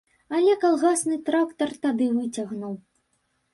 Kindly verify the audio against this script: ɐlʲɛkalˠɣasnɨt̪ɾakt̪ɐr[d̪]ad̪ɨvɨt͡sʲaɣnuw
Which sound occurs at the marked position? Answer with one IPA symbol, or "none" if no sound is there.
t̪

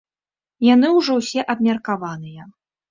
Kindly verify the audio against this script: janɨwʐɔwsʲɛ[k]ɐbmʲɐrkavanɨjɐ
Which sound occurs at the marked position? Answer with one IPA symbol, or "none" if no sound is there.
ʔ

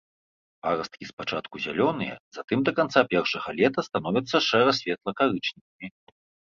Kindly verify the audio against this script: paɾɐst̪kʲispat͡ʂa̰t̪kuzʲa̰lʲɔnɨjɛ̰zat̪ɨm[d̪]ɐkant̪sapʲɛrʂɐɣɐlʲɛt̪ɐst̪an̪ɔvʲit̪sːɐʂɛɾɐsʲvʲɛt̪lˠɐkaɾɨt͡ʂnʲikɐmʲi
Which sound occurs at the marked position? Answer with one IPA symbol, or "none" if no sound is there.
d̪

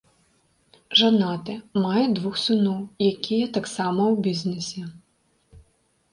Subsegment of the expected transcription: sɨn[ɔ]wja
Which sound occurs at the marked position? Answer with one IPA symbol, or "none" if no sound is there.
ɔ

